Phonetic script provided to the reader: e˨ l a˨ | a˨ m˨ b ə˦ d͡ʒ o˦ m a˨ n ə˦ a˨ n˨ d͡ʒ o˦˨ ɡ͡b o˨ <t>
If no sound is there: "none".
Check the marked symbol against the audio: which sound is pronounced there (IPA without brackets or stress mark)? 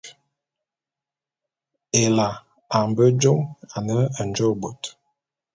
t